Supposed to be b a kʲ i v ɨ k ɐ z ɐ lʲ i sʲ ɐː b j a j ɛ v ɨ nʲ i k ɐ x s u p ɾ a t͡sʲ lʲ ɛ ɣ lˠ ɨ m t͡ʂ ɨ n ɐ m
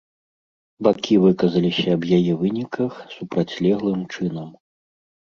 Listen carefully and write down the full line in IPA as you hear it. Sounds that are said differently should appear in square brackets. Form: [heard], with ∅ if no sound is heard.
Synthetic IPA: b a kʲ i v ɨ k ɐ z ɐ lʲ i sʲ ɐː b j a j ɛ v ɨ nʲ i k ɐ x s u p ɾ a t͡sʲ lʲ ɛ ɣ lˠ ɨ m t͡ʂ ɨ n ɐ m